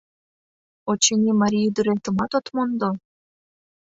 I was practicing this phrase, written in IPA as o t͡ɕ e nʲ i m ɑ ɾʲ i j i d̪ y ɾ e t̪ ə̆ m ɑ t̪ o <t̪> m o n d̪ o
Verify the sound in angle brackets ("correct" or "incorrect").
correct